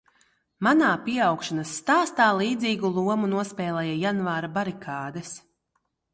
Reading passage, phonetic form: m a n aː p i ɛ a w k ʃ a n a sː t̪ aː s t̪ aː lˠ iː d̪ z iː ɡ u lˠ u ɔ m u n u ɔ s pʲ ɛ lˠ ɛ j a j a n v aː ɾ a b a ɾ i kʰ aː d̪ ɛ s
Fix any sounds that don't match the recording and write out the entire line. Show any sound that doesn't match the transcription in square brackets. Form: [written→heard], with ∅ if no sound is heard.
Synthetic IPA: m a n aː p i ɛ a w k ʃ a n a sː t̪ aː s t̪ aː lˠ iː d̪ z iː ɡ u lˠ u ɔ m u n u ɔ s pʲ [ɛ→ɛː] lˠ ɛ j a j a n v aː ɾ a b a ɾ i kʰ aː d̪ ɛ s